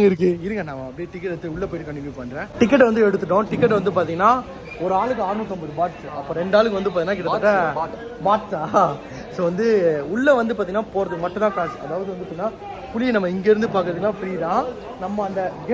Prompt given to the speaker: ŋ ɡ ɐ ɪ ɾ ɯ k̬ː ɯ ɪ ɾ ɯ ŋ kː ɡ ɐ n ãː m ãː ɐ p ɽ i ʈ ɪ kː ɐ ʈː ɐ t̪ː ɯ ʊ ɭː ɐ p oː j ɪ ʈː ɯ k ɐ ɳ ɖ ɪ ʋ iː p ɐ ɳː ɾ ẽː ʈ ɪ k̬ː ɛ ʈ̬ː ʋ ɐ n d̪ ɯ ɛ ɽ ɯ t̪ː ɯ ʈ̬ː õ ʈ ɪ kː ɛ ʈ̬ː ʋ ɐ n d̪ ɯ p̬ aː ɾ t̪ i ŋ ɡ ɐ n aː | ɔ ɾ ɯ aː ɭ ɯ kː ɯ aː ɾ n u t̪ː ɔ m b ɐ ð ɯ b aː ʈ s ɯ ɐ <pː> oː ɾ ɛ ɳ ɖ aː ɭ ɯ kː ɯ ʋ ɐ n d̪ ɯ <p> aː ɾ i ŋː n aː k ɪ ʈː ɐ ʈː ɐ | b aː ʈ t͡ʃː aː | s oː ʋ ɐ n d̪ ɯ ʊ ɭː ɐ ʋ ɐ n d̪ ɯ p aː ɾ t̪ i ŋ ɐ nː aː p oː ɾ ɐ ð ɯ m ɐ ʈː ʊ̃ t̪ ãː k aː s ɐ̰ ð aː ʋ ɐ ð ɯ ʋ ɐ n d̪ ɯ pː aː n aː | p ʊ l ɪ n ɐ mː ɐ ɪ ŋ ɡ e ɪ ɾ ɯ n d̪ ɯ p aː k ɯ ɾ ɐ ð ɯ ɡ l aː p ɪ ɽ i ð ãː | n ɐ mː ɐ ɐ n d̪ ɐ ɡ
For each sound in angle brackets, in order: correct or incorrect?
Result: correct, correct

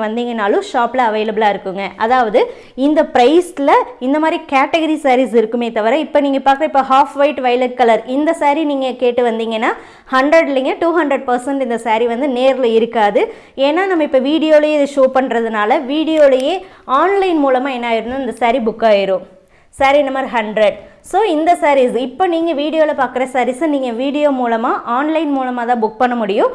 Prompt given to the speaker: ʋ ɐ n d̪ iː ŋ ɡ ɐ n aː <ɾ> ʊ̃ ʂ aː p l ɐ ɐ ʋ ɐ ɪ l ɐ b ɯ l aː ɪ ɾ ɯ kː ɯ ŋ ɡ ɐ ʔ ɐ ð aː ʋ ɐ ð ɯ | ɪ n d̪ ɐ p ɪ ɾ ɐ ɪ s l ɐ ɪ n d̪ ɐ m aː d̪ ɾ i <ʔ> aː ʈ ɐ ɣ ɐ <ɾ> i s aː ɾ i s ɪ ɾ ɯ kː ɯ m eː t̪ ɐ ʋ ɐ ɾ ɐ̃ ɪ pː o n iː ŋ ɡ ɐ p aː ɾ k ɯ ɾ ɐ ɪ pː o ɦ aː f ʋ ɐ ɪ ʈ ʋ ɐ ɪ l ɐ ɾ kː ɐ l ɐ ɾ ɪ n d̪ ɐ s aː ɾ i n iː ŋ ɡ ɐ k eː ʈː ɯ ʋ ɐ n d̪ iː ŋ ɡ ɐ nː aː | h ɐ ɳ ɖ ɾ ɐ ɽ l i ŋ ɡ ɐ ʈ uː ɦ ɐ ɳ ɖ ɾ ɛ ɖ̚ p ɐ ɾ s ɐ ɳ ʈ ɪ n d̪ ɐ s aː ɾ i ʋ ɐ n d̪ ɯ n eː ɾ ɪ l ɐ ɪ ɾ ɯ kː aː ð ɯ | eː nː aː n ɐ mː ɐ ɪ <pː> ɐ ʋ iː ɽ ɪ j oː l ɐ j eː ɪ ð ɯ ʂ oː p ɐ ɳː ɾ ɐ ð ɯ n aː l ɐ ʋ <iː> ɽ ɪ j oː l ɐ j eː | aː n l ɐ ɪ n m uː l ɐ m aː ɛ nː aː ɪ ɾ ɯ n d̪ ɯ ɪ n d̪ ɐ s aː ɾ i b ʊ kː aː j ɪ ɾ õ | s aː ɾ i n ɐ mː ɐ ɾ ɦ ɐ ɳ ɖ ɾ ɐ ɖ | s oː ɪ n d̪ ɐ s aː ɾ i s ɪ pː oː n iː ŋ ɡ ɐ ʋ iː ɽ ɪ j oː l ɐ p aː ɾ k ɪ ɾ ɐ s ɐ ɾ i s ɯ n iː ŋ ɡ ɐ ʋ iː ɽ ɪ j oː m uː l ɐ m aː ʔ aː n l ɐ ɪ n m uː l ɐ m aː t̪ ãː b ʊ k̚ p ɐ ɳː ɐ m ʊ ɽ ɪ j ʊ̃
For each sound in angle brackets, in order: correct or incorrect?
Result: incorrect, incorrect, correct, correct, correct

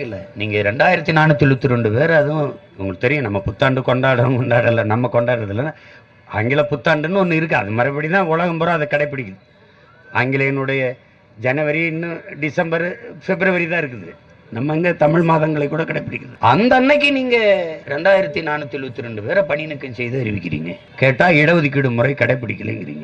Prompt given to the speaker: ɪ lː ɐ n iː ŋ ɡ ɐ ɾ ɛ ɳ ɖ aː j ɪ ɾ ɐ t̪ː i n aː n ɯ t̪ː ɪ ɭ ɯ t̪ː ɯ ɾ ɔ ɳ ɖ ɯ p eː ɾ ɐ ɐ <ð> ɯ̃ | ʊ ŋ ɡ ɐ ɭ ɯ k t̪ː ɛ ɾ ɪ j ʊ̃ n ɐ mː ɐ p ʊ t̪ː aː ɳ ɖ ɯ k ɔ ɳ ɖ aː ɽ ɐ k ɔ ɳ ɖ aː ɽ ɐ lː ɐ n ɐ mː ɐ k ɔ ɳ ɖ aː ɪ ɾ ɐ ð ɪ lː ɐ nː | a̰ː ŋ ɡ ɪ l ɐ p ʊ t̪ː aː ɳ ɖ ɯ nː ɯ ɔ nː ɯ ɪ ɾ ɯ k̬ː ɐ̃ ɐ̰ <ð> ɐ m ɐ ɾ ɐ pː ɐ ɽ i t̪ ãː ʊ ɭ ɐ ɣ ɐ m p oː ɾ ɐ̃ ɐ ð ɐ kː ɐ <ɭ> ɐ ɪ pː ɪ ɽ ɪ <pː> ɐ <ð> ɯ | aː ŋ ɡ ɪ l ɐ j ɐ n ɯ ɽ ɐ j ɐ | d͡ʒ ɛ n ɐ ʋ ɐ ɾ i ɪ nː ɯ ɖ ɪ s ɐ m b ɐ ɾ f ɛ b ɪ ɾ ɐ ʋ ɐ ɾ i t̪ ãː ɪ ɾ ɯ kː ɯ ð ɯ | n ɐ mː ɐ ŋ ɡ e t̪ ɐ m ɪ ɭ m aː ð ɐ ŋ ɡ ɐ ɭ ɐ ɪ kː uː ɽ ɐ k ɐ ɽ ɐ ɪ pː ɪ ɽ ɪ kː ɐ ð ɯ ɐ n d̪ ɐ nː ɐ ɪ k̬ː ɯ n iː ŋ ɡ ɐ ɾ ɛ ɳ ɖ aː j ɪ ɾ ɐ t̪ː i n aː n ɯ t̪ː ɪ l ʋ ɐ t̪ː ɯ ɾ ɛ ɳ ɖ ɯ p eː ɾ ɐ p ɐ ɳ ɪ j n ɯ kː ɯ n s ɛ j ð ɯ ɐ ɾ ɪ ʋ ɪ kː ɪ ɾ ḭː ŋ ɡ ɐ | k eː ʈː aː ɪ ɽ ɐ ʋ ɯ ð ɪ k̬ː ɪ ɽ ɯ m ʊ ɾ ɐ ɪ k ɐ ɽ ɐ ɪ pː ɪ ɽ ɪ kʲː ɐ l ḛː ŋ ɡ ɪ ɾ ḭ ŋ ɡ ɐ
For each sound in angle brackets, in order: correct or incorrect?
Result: correct, correct, incorrect, incorrect, correct

